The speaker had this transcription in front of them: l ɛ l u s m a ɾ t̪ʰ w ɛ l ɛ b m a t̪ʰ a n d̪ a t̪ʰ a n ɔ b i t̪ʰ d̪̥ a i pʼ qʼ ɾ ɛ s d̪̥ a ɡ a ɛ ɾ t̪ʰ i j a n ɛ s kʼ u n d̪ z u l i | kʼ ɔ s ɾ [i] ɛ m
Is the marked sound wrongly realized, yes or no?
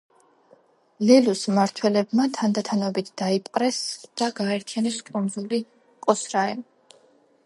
yes